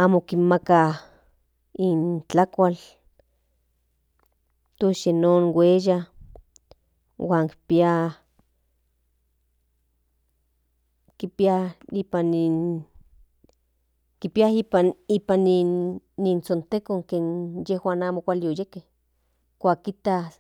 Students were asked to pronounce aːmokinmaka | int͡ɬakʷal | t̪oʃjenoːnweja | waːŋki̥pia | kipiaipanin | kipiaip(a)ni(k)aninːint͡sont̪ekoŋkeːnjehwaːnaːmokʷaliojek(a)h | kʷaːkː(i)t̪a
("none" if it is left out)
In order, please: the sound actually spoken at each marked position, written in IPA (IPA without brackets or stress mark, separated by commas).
a, p, e, i